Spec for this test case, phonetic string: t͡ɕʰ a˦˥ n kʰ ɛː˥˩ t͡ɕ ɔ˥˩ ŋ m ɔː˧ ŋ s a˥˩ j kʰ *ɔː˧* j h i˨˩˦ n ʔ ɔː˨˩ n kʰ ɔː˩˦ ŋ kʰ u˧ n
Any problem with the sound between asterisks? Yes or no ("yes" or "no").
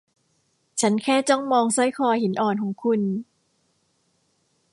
no